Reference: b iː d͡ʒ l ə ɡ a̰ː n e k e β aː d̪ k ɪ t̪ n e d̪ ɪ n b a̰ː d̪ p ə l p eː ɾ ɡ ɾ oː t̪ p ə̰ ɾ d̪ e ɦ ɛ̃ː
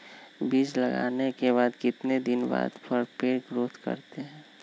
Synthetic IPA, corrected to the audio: b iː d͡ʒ l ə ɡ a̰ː n e k e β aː d̪ k ɪ t̪ n e d̪ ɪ n b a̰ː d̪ p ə ɾ p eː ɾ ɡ ɾ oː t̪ k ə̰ ɾ t̪ e ɦ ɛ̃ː